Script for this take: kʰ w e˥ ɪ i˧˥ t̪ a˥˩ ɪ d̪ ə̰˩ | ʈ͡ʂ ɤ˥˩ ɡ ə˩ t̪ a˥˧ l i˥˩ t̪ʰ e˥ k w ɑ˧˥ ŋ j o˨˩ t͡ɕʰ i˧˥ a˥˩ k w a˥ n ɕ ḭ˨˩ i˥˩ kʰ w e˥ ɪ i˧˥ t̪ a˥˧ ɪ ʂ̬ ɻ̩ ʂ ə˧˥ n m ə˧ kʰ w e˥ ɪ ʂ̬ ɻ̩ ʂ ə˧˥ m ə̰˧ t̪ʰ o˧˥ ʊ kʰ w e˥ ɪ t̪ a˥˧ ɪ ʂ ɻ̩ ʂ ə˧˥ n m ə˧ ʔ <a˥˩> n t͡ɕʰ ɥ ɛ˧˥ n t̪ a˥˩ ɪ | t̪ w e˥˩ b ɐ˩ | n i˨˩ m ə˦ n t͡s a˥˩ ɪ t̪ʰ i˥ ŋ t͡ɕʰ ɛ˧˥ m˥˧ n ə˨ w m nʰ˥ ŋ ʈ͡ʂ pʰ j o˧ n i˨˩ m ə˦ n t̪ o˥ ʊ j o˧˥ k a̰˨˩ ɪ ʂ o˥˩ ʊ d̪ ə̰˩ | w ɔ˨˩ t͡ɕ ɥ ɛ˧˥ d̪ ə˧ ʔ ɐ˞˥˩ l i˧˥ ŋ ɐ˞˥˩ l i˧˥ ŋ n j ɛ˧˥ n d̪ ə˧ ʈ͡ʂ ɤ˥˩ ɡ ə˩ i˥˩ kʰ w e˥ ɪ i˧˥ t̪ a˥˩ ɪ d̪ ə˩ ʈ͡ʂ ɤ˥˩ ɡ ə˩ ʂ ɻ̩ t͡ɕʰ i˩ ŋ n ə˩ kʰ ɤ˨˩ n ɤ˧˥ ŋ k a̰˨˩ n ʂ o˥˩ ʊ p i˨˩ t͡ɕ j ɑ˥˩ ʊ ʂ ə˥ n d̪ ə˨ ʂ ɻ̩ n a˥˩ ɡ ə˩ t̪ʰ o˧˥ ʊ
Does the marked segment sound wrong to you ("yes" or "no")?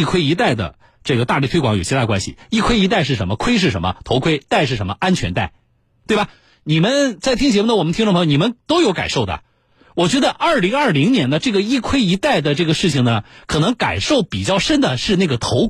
yes